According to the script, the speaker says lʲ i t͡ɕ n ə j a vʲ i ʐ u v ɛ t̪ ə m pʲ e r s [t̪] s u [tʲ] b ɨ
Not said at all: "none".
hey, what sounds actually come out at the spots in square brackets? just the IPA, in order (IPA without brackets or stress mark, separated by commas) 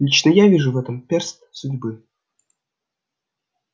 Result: t̪, dʲ